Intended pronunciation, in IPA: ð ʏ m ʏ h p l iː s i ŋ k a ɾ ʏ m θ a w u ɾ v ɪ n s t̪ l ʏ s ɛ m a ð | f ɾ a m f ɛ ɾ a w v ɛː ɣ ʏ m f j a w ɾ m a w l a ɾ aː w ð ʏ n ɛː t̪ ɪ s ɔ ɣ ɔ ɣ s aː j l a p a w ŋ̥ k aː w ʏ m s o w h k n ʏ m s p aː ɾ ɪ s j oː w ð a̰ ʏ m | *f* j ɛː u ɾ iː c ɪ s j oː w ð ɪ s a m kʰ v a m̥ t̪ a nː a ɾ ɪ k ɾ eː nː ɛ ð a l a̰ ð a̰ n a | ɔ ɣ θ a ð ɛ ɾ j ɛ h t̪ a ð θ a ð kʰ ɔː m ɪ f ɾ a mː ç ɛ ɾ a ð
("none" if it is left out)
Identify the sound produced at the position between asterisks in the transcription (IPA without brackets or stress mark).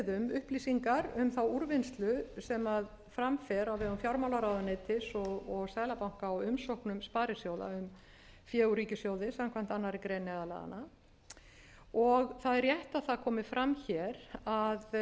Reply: f